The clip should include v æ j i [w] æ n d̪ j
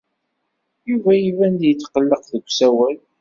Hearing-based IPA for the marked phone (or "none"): v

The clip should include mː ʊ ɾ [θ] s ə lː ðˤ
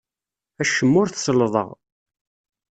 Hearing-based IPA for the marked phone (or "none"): θ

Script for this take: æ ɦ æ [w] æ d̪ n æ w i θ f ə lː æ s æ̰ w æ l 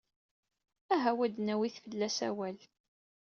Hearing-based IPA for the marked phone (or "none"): w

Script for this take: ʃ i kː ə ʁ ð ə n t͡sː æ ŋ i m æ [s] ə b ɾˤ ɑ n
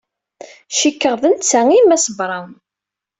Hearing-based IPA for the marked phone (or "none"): s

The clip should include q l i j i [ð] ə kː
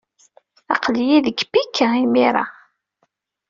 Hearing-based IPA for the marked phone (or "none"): ð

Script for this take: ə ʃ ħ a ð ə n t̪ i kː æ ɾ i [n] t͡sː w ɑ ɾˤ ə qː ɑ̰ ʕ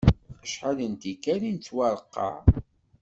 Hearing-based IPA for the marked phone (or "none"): n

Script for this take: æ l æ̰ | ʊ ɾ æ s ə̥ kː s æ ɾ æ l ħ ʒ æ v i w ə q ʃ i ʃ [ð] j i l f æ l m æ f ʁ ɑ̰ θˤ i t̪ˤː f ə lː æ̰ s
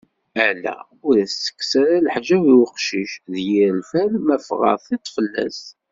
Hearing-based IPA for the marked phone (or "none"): ð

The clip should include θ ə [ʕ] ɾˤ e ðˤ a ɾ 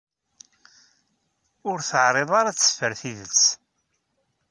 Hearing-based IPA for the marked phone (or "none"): ʕ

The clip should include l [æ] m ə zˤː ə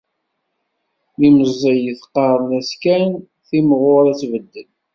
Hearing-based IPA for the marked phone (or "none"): i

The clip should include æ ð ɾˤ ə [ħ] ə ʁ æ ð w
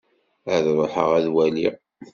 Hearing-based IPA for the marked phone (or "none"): ħ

